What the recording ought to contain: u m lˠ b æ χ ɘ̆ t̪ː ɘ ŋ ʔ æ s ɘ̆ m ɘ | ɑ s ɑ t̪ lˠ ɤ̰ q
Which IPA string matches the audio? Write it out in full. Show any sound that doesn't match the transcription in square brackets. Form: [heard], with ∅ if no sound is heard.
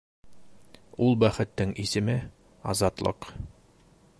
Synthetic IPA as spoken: u [∅] lˠ b æ χ ɘ̆ t̪ː ɘ ŋ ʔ [i] s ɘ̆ m ɘ | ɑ [z] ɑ t̪ lˠ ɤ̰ q